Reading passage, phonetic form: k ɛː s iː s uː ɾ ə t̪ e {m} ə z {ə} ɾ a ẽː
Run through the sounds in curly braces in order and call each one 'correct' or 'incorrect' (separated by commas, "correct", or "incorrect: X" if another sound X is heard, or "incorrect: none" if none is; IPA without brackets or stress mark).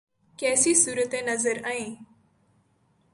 incorrect: n, correct